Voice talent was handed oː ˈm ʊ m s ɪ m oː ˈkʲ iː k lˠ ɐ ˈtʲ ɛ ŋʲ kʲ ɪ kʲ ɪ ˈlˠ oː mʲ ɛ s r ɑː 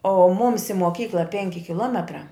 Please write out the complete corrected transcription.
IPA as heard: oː ˈm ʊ m s ɪ m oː ˈkʲ iː k lˠ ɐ ˈpʲ ɛ ŋʲ kʲ ɪ kʲ ɪ ˈlˠ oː mʲ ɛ t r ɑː